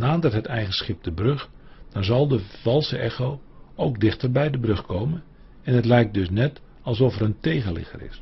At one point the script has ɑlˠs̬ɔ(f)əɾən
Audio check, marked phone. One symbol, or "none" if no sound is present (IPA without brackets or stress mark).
f